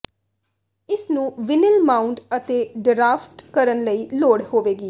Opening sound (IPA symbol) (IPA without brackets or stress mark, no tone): ɪ